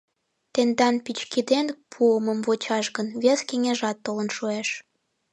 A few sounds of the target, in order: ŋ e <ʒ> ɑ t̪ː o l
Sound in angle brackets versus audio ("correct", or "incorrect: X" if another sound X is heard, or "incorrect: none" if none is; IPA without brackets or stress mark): correct